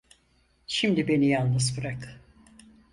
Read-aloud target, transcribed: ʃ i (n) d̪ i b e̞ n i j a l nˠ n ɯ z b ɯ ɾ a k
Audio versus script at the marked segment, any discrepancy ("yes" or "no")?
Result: yes